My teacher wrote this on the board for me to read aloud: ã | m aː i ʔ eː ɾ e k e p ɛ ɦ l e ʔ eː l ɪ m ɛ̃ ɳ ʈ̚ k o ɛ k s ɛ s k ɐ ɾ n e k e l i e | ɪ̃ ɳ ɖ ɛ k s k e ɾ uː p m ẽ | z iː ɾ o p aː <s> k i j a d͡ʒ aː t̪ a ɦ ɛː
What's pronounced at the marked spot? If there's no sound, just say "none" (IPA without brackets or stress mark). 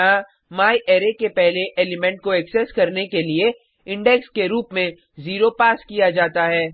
s